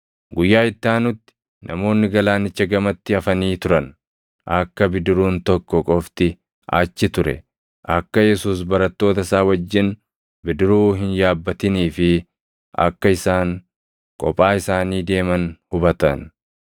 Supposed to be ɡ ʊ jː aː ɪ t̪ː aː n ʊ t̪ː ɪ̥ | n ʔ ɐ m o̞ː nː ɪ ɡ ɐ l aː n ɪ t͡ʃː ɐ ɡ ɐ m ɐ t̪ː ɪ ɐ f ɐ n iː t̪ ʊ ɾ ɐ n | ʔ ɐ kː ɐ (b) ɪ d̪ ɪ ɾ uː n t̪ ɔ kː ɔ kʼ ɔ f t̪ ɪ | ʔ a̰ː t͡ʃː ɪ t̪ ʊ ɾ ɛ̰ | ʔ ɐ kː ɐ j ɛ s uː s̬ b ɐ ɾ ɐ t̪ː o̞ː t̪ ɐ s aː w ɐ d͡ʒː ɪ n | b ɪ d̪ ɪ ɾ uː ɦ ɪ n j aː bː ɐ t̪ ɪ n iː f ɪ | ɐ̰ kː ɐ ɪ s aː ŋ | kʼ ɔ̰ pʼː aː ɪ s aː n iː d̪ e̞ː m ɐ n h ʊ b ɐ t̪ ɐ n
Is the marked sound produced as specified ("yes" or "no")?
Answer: yes